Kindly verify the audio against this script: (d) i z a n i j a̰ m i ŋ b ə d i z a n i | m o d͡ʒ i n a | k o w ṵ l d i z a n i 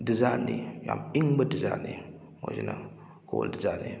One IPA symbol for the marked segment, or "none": d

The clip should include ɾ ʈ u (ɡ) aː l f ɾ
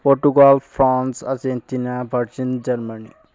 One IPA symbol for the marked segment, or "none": ɡ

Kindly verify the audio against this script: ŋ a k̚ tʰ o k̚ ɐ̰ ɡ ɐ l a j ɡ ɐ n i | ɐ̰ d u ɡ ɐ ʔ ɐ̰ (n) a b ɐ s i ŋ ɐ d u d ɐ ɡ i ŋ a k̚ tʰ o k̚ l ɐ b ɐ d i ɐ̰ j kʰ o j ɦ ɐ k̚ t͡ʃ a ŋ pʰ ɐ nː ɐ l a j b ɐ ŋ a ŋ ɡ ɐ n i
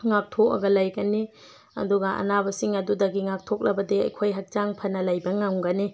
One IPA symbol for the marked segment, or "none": n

